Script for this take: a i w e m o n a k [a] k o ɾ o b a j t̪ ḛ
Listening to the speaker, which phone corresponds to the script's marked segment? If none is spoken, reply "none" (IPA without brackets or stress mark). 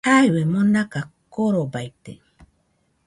a